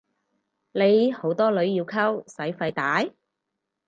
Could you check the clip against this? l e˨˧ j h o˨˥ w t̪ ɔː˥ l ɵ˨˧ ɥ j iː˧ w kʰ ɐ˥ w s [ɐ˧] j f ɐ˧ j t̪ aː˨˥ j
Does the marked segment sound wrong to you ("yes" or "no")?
yes